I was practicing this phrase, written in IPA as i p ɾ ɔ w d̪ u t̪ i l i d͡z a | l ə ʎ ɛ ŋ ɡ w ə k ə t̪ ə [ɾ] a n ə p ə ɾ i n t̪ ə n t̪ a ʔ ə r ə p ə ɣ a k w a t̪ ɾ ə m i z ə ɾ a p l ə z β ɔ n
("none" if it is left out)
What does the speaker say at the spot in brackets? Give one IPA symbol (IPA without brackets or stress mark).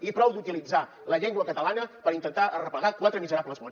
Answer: l